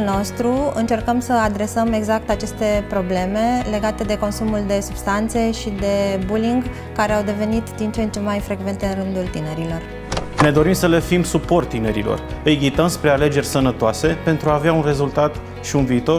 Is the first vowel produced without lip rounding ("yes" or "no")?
no